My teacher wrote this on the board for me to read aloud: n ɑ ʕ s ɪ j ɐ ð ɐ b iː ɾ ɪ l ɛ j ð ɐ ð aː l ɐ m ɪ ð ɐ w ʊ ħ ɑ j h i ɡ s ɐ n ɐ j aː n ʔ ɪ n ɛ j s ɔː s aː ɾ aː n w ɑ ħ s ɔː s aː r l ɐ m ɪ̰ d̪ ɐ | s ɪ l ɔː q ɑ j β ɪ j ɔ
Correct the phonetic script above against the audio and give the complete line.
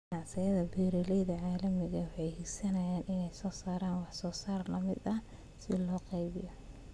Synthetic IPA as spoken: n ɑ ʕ s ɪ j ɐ ð ɐ b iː ɾ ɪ l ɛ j ð ɐ ʕ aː l ɐ m ɪ ɣ ɐ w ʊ ħ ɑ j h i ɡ s ɐ n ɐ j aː n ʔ ɪ n ɛ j s ɔː s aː ɾ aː n w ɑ ħ s ɔː s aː r l ɐ m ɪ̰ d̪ ɐ | s ɪ l ɔː q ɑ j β ɪ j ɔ